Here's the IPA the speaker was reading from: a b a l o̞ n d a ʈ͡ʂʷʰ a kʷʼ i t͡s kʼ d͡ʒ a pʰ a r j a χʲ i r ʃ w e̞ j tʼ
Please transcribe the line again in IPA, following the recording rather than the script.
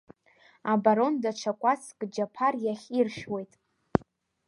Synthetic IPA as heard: a b a ɾ o̞ n d a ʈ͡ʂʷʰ a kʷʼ a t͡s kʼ d͡ʒ a pʰ a r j a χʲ i r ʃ w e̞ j tʼ